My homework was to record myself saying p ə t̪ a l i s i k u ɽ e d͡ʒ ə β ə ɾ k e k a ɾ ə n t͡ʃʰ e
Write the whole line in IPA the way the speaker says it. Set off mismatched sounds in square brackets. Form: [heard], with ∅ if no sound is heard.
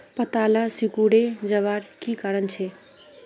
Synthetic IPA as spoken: p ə t̪ a l [a] s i k u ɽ e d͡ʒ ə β [a] ɾ k [i] k a ɾ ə n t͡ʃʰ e